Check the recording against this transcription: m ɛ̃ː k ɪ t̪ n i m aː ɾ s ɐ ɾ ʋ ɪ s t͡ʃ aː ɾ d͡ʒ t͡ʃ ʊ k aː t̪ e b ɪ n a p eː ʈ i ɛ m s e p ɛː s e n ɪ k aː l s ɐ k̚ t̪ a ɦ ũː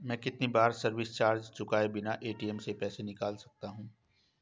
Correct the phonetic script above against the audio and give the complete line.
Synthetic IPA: m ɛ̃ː k ɪ t̪ n i b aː ɾ s ɐ ɾ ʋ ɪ s t͡ʃ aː ɾ d͡ʒ t͡ʃ ʊ k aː e b ɪ n a ʔ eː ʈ i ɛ m s e p ɛː s e n ɪ k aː l s ɐ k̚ t̪ a ɦ ũː